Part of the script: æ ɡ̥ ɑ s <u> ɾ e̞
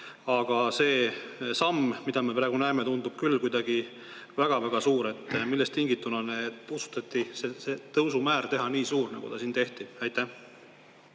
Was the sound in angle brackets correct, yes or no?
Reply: no